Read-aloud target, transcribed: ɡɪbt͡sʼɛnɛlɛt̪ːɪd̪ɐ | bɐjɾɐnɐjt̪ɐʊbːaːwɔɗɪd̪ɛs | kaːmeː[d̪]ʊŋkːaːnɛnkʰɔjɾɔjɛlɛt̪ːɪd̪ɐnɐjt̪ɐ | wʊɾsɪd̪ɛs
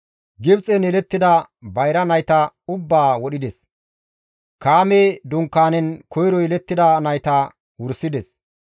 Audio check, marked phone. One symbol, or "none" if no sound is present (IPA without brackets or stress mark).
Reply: d̪